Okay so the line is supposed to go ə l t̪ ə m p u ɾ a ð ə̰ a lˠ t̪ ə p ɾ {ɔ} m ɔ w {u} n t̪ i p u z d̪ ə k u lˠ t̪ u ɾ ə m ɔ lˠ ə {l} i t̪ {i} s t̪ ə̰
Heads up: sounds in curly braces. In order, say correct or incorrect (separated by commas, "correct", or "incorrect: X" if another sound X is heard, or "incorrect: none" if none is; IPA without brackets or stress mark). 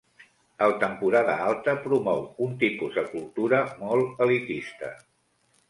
incorrect: u, correct, correct, correct